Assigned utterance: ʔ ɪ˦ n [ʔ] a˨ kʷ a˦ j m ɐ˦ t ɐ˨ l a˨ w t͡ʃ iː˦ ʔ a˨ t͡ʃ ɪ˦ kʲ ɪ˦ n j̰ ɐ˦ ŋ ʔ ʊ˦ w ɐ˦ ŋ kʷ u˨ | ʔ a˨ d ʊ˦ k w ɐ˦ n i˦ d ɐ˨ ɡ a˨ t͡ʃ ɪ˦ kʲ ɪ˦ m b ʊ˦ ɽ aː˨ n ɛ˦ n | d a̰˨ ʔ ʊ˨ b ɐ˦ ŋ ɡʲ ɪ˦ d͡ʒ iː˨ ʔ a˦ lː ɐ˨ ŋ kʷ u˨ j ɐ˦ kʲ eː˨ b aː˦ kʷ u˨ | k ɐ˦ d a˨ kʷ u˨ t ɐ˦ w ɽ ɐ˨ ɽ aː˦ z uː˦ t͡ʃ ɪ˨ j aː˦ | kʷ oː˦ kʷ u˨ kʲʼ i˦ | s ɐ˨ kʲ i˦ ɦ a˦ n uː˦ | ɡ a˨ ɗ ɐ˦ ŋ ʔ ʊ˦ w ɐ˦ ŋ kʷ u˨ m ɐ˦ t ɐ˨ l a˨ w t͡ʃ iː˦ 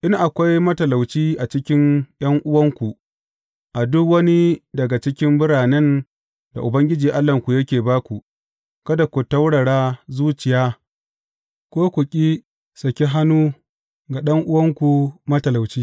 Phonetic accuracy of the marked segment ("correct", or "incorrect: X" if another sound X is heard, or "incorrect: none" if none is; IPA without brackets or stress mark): correct